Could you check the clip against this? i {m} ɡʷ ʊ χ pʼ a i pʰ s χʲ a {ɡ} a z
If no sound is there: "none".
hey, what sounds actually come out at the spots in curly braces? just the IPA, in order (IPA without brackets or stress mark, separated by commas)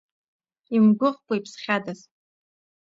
m, d